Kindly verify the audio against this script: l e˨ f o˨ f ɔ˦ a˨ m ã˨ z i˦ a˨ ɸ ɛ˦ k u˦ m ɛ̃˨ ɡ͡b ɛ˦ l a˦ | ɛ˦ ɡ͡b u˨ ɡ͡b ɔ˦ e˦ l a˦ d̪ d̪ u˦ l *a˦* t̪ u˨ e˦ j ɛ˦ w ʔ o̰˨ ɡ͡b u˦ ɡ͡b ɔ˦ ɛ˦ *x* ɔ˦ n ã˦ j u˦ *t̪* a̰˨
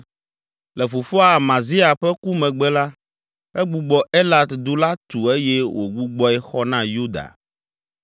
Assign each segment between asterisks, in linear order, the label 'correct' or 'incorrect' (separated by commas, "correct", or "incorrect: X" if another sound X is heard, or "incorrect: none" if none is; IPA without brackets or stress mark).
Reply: correct, correct, incorrect: d̪